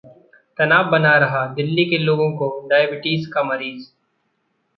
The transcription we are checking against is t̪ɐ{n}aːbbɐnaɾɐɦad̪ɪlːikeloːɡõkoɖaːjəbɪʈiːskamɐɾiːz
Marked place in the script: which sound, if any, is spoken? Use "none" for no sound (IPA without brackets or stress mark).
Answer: n